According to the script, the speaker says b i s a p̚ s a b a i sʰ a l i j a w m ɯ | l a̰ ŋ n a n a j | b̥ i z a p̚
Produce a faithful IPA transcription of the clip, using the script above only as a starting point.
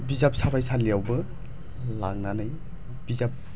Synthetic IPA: b i z a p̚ s a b a j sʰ a l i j a w b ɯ | l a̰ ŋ n a n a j | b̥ i z a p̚